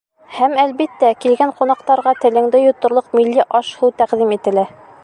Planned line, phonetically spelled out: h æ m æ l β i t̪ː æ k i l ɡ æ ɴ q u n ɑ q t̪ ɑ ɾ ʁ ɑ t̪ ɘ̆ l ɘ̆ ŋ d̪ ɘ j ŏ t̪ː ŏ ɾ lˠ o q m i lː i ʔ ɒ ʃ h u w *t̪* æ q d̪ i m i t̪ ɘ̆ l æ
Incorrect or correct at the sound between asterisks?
correct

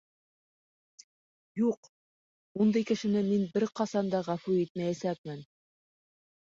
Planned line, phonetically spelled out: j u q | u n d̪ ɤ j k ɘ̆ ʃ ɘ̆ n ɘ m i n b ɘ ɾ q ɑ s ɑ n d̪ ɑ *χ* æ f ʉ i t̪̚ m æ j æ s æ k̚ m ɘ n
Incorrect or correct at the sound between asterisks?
incorrect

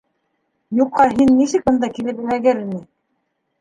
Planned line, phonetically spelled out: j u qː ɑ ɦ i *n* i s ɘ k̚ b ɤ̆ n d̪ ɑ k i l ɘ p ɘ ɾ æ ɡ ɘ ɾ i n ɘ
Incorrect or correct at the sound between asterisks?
incorrect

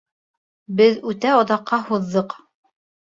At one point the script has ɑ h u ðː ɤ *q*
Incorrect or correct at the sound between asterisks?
correct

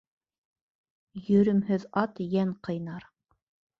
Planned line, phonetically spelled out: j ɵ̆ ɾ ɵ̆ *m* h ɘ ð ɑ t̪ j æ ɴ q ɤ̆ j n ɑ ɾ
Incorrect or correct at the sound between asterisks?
correct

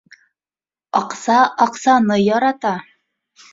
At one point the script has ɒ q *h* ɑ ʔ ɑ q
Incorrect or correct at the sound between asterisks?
incorrect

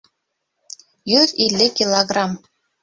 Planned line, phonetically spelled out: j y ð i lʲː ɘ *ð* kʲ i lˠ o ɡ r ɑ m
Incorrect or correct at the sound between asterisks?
incorrect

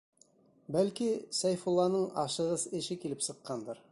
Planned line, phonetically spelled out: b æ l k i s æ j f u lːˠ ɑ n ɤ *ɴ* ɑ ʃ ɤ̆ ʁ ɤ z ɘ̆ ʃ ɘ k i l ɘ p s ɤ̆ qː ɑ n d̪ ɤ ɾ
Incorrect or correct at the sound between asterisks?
correct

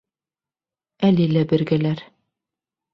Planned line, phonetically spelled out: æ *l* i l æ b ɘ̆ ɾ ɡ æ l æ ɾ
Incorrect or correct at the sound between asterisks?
correct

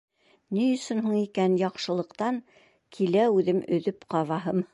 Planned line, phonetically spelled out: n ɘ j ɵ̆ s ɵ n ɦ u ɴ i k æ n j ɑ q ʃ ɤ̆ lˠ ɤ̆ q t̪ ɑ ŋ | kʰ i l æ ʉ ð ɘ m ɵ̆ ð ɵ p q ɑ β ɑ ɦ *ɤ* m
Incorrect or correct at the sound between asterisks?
correct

